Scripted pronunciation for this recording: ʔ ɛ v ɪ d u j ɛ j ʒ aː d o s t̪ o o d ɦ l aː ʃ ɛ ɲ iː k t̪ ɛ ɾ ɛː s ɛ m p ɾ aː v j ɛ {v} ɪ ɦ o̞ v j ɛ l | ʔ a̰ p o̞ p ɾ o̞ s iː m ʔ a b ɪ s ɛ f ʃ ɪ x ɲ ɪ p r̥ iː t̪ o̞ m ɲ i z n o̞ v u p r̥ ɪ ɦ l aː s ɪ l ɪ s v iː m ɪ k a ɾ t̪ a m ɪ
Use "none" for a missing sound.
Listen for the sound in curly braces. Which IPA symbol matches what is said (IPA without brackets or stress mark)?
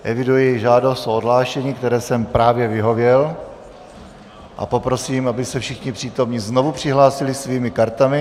v